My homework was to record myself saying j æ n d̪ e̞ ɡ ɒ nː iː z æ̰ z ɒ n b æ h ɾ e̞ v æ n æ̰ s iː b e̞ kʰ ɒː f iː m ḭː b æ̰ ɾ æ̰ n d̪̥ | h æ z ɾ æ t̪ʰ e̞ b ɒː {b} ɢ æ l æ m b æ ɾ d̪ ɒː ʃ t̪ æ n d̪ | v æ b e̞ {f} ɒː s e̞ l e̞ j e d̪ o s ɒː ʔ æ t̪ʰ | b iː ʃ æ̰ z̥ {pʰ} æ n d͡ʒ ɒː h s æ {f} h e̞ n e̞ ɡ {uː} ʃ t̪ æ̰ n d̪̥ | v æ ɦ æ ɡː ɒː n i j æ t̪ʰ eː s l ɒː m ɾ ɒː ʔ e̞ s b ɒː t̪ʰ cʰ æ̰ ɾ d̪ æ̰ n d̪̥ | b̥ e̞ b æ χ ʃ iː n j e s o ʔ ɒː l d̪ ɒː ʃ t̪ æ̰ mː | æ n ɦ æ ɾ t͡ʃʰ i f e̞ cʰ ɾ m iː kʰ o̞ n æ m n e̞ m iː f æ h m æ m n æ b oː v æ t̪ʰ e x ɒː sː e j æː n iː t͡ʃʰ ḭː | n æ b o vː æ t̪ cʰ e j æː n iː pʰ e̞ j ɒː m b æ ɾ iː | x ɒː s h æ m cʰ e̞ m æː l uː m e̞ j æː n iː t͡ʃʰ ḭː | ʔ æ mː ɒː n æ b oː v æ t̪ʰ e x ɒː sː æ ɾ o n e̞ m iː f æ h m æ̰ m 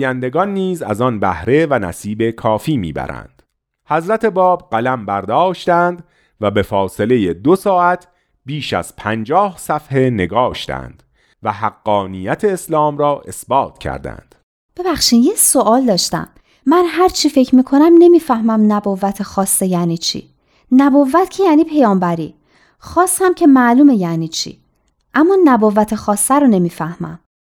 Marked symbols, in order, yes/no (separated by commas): yes, yes, yes, yes, no